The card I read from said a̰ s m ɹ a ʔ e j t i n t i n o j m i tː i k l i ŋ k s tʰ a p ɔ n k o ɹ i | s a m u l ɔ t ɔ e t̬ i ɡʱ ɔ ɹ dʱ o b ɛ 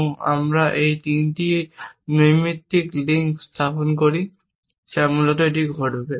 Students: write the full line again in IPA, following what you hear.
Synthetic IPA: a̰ m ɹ a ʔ e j t i n t i n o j m i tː i k l i ŋ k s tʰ a p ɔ n k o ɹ i | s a m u l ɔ t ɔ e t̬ i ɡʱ ɔ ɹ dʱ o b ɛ